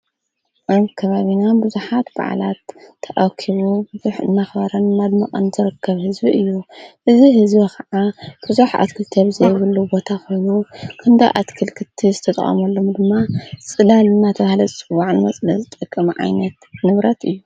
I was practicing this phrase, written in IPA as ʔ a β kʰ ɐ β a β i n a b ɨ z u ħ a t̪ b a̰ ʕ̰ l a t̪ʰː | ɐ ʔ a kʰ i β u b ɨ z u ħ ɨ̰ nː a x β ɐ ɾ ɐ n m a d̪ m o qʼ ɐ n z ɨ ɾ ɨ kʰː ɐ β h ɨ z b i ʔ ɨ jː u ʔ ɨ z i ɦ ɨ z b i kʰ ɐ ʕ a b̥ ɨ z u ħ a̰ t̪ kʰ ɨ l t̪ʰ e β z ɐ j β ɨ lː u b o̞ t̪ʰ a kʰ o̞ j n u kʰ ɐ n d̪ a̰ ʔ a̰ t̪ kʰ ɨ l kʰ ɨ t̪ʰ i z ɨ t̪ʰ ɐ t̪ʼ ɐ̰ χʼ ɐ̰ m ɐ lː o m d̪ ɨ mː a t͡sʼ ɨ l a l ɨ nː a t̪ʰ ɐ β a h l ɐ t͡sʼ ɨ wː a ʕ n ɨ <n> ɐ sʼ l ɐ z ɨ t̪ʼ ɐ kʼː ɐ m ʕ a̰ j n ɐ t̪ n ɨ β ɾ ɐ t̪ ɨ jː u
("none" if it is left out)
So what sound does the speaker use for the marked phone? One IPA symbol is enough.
m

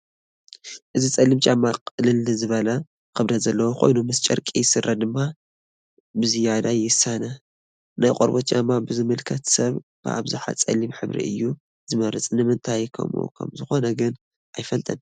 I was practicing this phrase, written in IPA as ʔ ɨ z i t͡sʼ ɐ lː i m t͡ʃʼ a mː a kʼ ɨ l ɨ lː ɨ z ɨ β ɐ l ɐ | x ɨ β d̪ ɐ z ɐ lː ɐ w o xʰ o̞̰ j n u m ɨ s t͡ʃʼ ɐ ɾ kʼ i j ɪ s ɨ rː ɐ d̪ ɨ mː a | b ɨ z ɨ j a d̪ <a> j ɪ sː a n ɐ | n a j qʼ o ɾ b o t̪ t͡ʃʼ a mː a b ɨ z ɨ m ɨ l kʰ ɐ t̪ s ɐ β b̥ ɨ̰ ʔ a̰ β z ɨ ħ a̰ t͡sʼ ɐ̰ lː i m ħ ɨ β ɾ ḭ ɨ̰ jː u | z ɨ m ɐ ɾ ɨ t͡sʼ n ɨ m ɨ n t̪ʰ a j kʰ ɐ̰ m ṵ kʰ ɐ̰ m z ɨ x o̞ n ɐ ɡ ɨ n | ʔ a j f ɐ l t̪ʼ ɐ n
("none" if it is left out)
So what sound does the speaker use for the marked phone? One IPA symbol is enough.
a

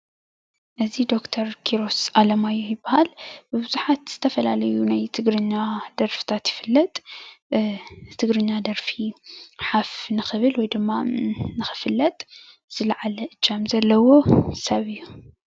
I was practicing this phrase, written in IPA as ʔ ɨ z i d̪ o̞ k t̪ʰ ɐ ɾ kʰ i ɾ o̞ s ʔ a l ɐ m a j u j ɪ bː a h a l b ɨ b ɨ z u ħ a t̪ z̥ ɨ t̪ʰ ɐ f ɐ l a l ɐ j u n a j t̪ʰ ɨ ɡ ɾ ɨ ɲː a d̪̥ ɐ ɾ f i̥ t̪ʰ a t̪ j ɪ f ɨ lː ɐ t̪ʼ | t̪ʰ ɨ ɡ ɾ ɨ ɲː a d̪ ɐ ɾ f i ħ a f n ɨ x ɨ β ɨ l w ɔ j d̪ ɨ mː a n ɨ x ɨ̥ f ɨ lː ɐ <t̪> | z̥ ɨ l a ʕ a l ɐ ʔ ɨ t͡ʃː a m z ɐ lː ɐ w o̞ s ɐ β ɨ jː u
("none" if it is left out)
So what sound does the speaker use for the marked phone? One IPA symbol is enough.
t̪ʼ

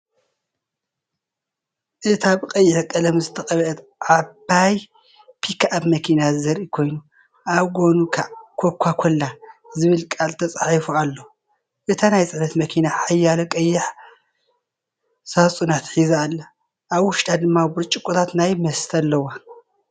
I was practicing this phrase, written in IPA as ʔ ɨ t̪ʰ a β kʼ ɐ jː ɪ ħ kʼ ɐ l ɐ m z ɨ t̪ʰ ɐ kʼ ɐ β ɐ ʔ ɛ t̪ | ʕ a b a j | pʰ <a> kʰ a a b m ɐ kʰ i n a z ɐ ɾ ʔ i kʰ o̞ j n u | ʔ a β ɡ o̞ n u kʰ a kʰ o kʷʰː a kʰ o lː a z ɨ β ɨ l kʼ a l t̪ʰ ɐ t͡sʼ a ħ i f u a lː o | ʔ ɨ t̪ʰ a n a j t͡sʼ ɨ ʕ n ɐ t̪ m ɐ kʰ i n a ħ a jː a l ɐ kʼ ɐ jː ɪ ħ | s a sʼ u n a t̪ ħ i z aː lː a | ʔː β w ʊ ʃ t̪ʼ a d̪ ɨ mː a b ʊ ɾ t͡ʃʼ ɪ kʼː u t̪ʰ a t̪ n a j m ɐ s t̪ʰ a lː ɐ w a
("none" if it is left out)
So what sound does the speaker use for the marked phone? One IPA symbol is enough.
i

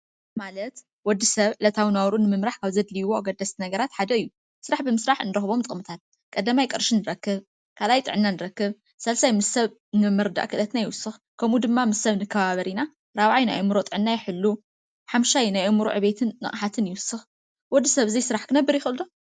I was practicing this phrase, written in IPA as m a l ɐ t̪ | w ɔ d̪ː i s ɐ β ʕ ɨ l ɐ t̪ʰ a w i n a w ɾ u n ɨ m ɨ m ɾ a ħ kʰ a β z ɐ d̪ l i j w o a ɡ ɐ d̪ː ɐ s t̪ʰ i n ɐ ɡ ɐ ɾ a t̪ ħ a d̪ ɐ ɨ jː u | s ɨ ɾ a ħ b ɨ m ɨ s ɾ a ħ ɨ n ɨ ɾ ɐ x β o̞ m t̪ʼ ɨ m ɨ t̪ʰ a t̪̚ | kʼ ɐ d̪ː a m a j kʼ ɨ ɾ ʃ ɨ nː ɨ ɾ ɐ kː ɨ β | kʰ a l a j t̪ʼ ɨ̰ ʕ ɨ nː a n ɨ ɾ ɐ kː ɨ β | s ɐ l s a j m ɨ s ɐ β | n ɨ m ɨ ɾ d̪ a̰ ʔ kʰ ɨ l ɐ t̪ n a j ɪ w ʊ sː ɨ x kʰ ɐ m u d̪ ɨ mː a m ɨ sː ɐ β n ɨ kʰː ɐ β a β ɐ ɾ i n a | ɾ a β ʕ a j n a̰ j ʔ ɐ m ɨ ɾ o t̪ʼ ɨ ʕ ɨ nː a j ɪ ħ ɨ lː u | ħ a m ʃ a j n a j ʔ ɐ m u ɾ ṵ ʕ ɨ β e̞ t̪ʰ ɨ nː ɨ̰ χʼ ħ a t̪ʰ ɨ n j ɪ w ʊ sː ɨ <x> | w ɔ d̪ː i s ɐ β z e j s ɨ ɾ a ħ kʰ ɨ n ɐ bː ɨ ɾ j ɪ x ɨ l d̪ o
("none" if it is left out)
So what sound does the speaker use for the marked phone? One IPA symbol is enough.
x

